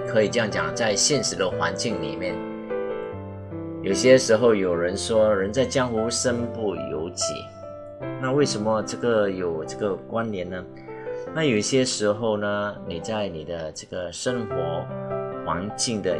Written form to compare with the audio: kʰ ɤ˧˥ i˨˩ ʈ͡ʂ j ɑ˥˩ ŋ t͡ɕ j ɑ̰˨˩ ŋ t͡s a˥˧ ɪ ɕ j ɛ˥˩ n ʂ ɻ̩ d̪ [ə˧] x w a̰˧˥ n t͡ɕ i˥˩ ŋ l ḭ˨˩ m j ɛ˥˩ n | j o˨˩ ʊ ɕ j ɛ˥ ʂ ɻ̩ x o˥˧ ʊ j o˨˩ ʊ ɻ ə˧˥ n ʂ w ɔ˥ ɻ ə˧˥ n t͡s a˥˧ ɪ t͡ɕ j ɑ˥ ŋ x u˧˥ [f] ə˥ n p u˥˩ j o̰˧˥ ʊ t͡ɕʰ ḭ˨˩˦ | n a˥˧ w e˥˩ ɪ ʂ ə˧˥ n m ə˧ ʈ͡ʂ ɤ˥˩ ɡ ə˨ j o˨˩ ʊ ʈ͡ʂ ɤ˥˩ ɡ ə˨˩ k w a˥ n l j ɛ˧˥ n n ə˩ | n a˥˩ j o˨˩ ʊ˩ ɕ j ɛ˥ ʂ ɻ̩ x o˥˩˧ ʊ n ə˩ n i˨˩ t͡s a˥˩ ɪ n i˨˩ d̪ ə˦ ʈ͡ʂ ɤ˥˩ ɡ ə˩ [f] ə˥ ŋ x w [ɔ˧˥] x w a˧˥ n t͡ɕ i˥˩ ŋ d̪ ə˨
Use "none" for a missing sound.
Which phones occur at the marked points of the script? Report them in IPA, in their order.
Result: ə˧, ʂ, ʂ, ɔ˧˥

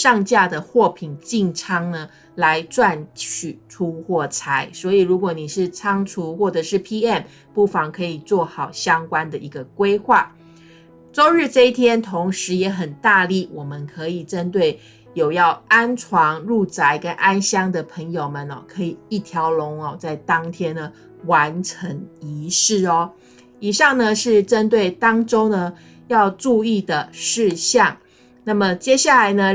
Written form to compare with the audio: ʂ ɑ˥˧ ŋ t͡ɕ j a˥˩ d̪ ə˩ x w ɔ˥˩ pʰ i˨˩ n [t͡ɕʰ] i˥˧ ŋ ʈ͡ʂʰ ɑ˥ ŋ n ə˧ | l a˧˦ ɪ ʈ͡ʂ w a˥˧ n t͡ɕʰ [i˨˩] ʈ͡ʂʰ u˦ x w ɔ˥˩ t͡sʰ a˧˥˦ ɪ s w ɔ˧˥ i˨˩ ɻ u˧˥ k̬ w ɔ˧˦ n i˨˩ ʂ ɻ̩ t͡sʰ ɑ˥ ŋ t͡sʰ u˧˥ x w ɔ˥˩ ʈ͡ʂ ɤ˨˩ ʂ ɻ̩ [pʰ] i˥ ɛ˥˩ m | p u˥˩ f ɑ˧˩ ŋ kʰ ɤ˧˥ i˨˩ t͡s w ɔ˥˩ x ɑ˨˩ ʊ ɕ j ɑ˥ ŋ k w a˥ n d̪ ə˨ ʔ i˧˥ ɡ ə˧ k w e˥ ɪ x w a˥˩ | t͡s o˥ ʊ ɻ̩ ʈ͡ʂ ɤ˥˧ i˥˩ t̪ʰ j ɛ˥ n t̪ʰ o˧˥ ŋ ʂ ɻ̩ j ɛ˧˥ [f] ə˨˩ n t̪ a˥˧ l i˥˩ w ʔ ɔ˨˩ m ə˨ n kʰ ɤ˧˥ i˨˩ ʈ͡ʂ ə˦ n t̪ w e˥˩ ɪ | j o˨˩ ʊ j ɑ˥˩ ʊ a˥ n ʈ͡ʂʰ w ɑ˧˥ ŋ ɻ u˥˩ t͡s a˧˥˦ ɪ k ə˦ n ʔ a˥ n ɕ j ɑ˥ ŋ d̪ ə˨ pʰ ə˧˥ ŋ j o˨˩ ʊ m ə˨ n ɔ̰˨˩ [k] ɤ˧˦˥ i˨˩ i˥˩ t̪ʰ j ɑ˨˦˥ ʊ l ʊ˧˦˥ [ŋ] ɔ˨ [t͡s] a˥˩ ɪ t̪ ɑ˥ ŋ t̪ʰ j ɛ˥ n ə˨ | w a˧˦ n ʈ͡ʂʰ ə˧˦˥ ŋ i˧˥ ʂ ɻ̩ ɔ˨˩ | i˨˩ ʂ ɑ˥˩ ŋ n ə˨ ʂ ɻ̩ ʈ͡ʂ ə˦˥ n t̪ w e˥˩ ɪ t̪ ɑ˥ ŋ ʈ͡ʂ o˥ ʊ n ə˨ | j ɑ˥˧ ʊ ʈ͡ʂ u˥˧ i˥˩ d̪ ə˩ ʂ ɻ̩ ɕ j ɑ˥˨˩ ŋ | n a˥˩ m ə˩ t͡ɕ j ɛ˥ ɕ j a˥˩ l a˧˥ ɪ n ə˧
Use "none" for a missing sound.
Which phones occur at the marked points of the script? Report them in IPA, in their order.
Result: t͡ɕ, y˨˩, pʰ, x, kʰ, ŋ, t͡s

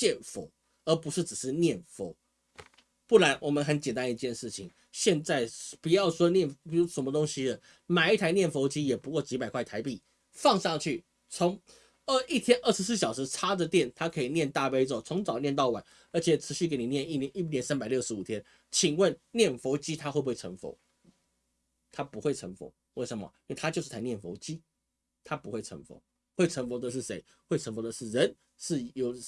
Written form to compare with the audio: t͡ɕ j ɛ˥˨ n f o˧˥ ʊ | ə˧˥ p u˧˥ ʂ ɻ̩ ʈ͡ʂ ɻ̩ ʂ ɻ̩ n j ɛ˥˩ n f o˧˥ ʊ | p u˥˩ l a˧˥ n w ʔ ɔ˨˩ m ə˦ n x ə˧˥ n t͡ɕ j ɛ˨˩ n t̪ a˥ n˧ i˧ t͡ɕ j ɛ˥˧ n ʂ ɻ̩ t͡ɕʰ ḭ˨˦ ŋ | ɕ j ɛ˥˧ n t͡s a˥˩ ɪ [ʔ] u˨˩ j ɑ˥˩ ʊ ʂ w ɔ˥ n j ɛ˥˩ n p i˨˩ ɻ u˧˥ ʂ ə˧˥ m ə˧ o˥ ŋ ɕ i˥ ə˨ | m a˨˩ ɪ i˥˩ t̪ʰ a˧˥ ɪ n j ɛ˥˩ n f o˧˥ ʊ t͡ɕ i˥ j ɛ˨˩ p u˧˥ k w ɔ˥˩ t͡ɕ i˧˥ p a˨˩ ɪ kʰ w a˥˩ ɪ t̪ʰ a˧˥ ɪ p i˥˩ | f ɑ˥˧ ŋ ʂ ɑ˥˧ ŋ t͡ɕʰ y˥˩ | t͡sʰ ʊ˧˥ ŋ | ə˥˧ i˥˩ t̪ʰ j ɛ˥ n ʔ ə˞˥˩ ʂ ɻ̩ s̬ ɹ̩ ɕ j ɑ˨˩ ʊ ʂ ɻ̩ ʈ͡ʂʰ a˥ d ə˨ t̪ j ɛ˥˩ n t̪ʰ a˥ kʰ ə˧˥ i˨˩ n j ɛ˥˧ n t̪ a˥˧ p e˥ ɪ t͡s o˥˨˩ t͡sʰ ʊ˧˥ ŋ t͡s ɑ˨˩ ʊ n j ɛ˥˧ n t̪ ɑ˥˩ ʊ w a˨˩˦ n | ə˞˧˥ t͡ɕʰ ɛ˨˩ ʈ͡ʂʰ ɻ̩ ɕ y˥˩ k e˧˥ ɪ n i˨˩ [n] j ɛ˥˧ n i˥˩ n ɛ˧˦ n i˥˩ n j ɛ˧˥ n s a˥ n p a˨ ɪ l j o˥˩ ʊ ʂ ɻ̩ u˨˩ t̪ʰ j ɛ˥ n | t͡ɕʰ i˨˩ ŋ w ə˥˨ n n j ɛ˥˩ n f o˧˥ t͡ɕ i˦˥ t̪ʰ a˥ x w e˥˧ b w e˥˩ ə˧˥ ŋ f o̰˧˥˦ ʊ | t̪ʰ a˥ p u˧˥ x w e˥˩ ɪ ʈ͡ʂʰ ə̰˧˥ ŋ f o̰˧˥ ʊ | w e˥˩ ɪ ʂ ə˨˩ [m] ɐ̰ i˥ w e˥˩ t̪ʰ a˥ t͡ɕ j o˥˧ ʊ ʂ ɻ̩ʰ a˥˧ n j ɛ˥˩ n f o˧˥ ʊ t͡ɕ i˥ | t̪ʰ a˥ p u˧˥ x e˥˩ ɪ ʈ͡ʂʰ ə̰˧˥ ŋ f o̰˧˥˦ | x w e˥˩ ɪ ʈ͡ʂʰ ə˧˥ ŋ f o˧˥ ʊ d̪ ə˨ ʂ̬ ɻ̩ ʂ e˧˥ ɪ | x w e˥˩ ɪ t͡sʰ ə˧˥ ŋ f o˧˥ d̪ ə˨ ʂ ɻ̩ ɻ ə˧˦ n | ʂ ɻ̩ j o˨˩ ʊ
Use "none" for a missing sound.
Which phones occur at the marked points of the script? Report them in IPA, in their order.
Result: p, n, m

